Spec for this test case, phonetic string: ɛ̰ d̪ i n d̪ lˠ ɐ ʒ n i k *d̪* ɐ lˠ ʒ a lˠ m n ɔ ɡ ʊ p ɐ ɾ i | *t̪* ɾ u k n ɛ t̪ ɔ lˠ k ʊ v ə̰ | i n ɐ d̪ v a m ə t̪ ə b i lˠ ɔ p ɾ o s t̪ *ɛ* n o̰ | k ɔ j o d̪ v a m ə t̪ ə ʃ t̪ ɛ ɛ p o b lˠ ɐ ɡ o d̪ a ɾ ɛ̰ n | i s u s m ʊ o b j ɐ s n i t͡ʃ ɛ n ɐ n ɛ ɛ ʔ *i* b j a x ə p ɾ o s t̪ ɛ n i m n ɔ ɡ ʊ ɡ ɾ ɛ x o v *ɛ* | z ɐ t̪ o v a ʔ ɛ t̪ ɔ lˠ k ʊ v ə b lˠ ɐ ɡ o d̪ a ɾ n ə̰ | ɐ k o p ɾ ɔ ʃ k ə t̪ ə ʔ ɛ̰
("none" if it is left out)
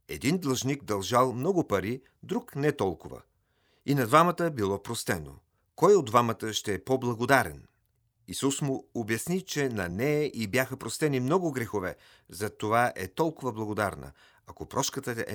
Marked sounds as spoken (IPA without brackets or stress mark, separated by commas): d̪, d̪, ɛ, i, ɛ